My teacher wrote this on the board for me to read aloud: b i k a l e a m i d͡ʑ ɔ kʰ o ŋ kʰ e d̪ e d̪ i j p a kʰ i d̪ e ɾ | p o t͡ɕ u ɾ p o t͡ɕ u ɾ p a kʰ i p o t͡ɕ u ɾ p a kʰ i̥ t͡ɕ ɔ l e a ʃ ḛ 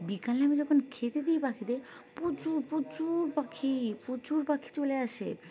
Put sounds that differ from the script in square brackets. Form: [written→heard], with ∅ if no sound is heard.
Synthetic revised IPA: b i k a l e a m i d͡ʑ ɔ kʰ o [ŋ→n] kʰ e [d̪→t̪] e d̪ i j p a kʰ i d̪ e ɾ | p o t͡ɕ u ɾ p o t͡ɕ u ɾ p a kʰ i p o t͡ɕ u ɾ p a kʰ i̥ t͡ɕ [ɔ→o] l e a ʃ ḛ